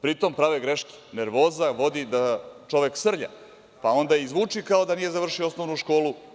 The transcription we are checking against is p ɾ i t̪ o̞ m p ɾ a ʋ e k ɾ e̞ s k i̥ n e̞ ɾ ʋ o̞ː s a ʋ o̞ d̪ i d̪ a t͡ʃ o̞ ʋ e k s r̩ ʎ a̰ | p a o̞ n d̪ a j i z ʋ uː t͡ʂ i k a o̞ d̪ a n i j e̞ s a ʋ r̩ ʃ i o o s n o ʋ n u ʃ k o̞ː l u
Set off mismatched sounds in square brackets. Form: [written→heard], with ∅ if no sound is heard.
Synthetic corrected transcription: p ɾ i t̪ o̞ m p ɾ a ʋ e [k→ɡ] ɾ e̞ [s→ʃ] k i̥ n e̞ ɾ ʋ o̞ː [s→z] a ʋ o̞ d̪ i d̪ a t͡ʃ o̞ ʋ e k s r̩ ʎ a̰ | p a o̞ n d̪ a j i z ʋ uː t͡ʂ i k a o̞ d̪ a n i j e̞ [s→z] a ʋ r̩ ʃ i o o s n o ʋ n u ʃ k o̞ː l u